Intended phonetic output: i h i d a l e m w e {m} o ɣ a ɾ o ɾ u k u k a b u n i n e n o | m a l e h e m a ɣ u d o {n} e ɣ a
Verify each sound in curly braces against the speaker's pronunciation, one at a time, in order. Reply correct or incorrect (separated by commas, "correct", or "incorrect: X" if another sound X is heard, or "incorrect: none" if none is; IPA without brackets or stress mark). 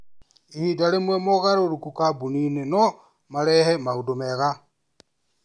correct, incorrect: m